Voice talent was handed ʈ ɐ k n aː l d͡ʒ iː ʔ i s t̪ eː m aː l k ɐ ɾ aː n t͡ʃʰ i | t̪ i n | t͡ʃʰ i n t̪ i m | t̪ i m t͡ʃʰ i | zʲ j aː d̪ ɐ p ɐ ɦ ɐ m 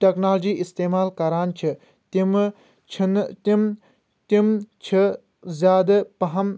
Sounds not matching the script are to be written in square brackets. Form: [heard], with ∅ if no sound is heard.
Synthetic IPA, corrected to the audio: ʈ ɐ k n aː l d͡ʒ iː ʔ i s t̪ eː m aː l k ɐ ɾ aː n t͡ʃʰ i | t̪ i [m] | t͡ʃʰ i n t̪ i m | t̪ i m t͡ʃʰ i | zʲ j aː d̪ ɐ p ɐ ɦ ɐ m